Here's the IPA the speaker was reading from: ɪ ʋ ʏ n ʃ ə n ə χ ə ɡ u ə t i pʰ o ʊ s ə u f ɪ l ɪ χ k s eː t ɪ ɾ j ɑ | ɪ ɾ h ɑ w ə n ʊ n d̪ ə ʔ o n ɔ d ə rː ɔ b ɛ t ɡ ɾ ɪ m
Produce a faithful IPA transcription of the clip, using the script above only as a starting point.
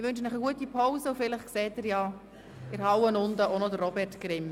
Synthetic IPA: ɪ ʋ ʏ n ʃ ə n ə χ ə ɡ u ə t i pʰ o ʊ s ə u f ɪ l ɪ χ k s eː t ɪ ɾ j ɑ | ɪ ɾ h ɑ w ə n ʊ n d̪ ə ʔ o n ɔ d ə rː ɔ b ɛ t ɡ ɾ ɪ m